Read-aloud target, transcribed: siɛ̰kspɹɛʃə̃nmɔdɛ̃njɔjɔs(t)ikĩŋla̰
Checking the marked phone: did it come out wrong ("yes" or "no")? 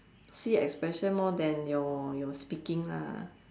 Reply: yes